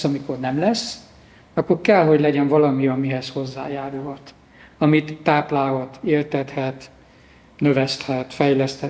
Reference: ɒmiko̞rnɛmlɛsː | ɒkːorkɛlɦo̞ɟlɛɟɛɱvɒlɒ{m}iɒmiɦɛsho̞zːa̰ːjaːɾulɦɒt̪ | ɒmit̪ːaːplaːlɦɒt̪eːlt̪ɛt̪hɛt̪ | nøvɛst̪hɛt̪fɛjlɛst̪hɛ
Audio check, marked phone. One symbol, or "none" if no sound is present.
m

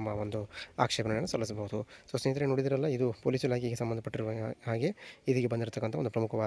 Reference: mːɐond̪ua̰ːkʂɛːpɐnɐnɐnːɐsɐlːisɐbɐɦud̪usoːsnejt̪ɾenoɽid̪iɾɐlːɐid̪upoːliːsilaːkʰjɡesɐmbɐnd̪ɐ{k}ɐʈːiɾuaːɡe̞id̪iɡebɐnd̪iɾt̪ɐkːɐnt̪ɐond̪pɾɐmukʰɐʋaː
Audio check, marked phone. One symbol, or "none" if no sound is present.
p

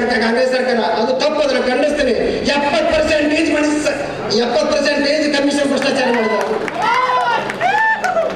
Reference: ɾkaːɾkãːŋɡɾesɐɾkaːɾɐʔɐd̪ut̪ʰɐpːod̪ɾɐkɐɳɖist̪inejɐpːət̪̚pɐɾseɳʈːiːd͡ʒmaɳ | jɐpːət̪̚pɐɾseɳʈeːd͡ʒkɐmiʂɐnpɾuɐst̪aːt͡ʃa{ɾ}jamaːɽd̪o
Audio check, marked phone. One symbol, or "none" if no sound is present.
ɾ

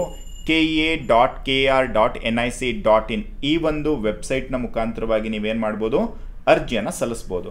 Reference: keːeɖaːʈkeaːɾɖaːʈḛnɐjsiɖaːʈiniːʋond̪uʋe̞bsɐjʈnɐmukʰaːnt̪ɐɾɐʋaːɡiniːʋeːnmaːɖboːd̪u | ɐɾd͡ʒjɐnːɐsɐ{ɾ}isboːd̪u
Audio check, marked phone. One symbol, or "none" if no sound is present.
l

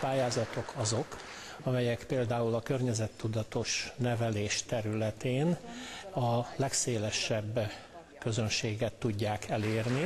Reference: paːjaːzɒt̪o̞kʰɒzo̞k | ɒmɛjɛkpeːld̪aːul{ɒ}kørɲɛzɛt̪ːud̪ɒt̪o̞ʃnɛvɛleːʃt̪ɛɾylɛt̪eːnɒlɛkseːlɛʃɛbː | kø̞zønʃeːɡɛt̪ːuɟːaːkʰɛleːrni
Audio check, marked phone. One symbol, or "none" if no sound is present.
ɒ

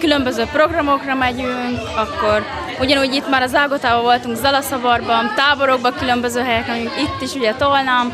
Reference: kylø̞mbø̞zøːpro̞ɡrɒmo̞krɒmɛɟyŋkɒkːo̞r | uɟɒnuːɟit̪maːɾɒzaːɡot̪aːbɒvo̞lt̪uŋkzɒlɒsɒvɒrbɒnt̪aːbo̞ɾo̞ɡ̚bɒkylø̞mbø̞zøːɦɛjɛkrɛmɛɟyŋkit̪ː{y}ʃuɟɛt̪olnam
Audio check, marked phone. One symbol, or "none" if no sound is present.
i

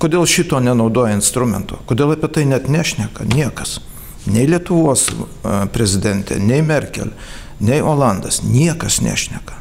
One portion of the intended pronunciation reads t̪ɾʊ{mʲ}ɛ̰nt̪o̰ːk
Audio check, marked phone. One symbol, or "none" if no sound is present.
mʲ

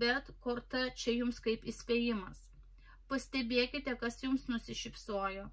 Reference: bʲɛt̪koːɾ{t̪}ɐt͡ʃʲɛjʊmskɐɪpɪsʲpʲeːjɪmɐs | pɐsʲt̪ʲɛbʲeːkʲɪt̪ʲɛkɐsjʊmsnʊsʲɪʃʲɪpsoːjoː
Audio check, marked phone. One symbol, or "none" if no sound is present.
t̪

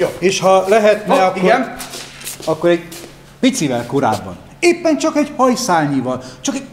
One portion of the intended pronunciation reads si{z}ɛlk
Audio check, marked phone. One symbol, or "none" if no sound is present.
v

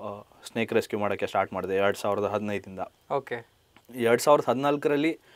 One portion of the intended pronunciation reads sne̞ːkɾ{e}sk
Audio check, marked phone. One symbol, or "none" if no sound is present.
e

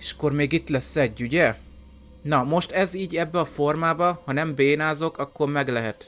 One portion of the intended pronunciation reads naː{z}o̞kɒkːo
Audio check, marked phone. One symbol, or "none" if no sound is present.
z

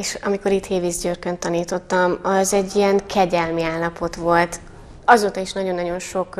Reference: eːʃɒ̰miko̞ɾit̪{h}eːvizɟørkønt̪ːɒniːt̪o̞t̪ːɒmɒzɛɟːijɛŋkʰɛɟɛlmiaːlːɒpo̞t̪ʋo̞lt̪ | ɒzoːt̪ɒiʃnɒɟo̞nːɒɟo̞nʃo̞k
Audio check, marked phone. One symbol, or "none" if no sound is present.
h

